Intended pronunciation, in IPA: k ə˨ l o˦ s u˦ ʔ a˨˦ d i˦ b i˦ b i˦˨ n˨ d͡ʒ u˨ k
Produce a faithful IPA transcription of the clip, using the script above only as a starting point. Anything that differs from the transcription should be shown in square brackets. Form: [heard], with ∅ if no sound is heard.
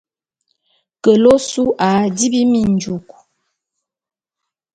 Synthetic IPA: k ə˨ l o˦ s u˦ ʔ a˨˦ d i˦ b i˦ [m] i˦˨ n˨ d͡ʒ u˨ k